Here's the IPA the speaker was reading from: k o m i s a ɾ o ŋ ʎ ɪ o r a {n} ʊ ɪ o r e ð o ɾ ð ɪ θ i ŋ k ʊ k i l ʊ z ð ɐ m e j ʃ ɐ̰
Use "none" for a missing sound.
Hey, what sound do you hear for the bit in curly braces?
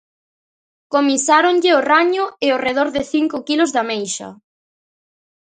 ɲ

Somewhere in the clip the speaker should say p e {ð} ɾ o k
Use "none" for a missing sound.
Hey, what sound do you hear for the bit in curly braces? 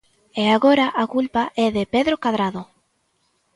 ð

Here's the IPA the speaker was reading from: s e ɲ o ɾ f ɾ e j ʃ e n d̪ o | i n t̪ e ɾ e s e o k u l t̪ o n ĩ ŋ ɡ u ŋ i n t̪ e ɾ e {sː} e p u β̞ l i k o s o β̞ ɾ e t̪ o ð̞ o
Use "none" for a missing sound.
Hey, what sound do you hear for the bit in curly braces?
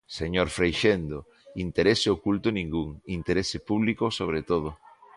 s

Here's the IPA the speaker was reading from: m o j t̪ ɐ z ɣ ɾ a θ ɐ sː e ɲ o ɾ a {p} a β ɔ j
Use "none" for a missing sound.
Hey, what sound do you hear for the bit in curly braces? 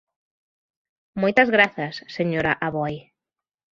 ʔ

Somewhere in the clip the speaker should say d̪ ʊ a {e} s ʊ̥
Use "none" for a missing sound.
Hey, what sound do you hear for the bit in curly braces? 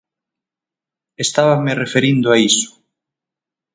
i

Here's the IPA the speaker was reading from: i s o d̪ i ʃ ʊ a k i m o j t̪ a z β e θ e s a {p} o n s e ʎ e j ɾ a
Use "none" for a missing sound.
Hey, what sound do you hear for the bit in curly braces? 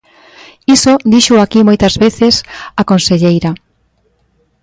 k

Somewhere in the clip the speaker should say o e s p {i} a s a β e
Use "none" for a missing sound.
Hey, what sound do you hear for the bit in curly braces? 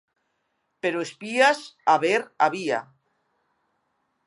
i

